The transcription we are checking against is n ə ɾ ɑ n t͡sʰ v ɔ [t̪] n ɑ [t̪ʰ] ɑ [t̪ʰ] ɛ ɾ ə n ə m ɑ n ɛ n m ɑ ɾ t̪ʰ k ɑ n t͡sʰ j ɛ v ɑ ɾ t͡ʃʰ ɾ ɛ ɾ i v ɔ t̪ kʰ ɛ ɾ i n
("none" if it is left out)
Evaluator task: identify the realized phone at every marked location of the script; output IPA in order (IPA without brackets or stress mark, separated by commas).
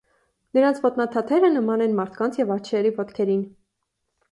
t̪, t̪ʰ, t̪ʰ